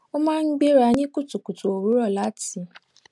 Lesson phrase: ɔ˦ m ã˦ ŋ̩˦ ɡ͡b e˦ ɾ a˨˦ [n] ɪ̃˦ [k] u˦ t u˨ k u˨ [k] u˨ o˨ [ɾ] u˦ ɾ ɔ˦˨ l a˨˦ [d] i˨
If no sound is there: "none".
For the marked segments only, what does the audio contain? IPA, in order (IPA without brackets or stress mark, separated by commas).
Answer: ɲ, k, t, ɾ, t